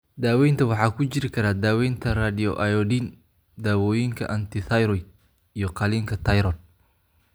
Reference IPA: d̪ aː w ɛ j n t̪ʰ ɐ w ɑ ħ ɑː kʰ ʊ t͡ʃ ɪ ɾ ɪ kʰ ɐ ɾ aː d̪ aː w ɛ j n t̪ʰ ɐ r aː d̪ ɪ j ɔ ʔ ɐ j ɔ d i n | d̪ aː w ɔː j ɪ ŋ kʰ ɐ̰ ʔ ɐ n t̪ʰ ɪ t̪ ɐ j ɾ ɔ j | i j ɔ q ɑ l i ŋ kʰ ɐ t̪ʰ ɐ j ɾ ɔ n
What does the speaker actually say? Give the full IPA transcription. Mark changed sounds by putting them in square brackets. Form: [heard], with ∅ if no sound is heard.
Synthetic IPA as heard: d̪ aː w ɛ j n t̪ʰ ɐ w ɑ ħ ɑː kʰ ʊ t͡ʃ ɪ ɾ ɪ kʰ ɐ ɾ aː d̪ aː w ɛ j n t̪ʰ ɐ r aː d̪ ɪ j ɔ ʔ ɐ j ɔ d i n | d̪ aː w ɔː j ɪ ŋ kʰ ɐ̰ ʔ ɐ n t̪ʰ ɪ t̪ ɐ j ɾ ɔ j | i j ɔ q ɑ l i ŋ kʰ ɐ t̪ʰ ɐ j ɾ ɔ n